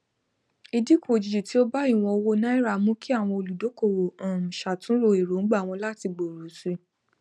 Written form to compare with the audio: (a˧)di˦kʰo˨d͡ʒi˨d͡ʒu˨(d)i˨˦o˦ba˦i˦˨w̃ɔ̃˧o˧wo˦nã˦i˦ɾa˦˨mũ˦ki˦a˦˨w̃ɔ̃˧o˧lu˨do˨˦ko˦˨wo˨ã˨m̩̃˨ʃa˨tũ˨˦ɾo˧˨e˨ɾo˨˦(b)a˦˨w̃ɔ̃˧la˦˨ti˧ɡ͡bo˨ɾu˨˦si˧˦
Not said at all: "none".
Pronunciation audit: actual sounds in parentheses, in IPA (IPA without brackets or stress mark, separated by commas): i˧, t, ɡ͡b